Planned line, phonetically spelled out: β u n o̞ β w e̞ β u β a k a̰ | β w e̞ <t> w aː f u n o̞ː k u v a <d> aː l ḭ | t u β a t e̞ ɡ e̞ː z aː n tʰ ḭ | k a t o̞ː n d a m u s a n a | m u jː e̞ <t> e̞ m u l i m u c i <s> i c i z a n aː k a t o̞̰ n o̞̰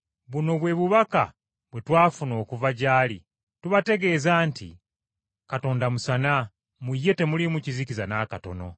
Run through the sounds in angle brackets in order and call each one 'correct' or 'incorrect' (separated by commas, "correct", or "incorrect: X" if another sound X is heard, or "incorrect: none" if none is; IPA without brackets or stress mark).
correct, incorrect: ɟ, correct, incorrect: z